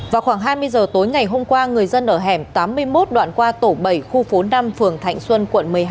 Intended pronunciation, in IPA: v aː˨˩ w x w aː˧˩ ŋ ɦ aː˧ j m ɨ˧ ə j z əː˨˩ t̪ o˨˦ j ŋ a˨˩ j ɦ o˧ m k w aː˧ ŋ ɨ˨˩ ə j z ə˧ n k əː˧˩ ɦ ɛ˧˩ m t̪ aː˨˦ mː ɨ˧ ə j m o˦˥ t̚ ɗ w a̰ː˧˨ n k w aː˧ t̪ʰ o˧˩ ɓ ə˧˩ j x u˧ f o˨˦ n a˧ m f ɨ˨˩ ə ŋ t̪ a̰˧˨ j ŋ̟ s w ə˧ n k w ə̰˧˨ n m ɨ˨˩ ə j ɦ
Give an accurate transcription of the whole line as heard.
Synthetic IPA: v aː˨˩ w x w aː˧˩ ŋ ɦ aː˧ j m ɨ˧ ə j z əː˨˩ t̪ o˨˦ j ŋ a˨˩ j ɦ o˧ m k w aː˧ ŋ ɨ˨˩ ə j z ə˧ n ʔ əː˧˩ ɦ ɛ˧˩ m t̪ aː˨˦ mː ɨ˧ ə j m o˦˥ t̚ ɗ w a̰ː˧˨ n k w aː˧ t̪ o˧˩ ɓ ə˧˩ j x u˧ f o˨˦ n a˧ m f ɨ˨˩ ə ŋ t̪ʰ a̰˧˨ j ŋ̟ s w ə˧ n k w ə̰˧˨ n m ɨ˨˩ ə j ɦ